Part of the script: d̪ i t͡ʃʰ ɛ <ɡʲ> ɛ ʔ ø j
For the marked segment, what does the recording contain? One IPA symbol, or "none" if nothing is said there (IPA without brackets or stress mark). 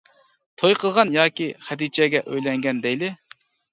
ɡʲ